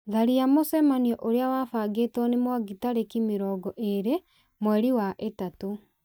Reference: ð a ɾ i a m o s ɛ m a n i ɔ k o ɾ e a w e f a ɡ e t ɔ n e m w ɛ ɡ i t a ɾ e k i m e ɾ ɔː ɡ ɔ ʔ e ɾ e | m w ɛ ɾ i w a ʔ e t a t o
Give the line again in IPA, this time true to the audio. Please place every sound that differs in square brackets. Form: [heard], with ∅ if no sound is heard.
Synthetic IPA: ð a ɾ i a m o s ɛ m a n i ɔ [ʔ] o ɾ e a w [a] f a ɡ e t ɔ n e m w [a] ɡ i t a ɾ e k i m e ɾ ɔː ɡ ɔ ʔ e ɾ e | m w ɛ ɾ i w a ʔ e t a t o